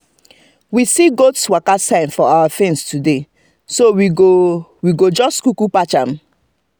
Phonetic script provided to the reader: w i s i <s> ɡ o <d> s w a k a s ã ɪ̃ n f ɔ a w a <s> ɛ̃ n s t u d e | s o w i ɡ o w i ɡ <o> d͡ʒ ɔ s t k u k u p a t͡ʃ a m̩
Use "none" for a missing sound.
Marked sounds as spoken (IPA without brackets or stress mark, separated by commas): none, t, f, o